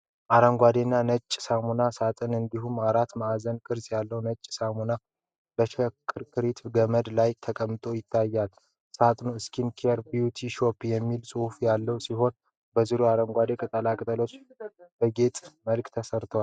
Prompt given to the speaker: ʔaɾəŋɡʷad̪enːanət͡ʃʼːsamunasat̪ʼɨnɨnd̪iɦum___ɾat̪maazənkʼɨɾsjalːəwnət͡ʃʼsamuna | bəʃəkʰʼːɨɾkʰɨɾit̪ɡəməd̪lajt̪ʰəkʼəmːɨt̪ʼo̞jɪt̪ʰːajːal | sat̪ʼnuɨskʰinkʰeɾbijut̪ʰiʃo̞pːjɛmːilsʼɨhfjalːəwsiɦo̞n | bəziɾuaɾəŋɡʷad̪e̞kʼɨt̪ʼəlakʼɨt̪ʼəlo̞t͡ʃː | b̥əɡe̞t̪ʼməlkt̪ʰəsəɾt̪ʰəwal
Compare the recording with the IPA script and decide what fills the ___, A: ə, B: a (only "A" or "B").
B